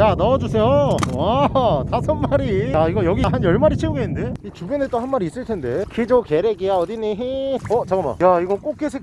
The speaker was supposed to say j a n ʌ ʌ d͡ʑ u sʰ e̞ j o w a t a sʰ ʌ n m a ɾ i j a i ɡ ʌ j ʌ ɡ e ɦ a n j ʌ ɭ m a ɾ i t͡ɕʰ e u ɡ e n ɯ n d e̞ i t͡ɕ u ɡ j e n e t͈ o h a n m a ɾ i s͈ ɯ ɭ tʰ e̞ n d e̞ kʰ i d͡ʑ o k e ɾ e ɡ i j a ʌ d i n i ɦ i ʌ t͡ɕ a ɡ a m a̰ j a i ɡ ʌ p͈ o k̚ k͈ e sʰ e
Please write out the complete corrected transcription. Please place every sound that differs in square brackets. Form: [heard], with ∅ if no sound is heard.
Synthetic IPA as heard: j a n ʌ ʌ d͡ʑ u sʰ e̞ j o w a t a sʰ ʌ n m a ɾ i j a i ɡ ʌ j ʌ ɡ [i] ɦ a n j ʌ ɭ m a ɾ i t͡ɕʰ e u ɡ e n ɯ n d e̞ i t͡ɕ u [b] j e n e t͈ o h a n m a ɾ i s͈ ɯ ɭ tʰ e̞ n d e̞ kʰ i d͡ʑ o k e ɾ e ɡ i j a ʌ d i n i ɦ i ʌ t͡ɕ a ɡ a m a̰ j a i ɡ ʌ [k͈] o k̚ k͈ e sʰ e